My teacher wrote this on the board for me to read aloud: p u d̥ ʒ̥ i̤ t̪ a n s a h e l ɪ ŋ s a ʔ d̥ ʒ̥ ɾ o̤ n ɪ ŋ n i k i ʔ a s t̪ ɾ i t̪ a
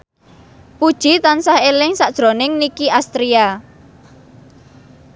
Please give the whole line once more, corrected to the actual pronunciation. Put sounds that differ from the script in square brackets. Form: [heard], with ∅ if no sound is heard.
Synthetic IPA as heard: p u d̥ ʒ̥ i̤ t̪ a n s a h e l ɪ ŋ s a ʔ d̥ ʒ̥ ɾ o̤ n ɪ ŋ n i k i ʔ a s t̪ ɾ i [∅] a